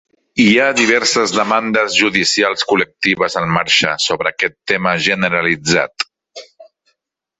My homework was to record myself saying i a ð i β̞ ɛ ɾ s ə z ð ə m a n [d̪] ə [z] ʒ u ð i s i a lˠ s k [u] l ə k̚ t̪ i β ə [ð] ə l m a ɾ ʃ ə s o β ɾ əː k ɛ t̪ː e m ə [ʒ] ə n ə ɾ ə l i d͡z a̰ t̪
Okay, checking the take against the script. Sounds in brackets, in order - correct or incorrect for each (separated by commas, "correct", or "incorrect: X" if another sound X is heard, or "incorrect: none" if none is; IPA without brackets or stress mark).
correct, correct, correct, incorrect: z, correct